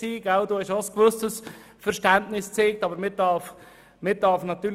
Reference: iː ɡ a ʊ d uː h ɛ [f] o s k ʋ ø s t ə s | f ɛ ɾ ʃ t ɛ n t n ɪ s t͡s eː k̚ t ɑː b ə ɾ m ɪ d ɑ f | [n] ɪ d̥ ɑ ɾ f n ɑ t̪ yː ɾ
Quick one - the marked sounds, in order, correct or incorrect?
incorrect: ʃ, incorrect: m

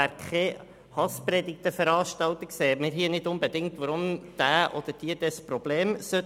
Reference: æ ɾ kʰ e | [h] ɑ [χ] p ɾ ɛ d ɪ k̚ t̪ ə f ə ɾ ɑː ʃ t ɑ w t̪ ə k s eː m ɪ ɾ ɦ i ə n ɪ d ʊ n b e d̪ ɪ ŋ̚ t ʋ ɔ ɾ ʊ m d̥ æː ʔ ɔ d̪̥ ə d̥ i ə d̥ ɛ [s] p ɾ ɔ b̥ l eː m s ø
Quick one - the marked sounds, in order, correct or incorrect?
correct, incorrect: s, correct

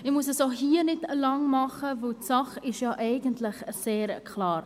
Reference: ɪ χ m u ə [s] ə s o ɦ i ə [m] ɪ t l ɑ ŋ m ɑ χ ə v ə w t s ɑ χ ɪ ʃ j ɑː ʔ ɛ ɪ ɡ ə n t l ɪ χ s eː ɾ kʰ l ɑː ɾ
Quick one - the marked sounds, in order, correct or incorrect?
correct, incorrect: n

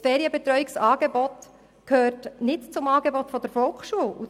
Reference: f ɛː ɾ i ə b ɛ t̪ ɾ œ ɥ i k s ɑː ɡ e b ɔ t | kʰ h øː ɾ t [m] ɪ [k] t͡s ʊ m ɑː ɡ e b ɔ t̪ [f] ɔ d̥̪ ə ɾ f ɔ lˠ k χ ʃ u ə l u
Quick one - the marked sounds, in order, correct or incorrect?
incorrect: n, incorrect: t, correct

